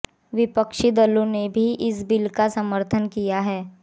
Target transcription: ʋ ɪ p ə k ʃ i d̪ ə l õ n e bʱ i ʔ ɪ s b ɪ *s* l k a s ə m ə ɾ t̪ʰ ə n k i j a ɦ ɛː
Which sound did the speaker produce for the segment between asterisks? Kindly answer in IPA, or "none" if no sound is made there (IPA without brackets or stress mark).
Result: none